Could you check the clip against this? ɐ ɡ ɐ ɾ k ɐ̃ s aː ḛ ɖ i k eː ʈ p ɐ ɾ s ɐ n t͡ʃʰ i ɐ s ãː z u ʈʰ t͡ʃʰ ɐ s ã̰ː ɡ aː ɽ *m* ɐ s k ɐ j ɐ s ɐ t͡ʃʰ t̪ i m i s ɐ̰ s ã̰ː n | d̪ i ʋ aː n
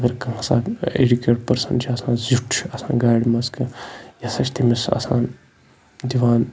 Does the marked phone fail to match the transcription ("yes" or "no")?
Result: no